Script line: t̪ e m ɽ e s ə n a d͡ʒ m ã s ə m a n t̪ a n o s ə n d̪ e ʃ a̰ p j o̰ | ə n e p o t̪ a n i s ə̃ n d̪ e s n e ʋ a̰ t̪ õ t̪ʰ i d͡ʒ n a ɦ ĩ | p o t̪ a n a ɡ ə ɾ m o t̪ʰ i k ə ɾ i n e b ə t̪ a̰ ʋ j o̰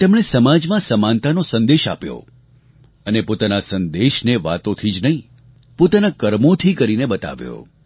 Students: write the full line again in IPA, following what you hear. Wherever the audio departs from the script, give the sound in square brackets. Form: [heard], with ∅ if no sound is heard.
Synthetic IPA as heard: t̪ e m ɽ e s ə [m] a d͡ʒ m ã s ə m a n t̪ a n o s ə n d̪ e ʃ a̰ p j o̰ | ə n e p o t̪ a n [a] s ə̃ n d̪ e [ʃ] n e ʋ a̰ t̪ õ t̪ʰ i d͡ʒ n [ə] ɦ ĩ | p o t̪ a n a [k] ə ɾ m o t̪ʰ i k ə ɾ i n e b ə t̪ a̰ ʋ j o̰